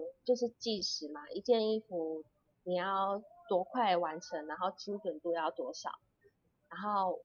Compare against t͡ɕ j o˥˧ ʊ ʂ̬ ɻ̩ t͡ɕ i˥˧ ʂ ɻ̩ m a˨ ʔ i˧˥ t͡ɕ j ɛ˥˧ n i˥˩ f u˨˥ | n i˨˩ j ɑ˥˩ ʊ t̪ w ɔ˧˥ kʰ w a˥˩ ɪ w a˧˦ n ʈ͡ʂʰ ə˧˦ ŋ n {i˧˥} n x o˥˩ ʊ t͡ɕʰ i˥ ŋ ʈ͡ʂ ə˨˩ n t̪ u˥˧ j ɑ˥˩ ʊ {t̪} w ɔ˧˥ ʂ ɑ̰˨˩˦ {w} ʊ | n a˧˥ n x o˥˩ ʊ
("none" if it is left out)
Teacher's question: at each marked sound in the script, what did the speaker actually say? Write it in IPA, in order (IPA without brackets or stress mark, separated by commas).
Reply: a˧˥, t̪, none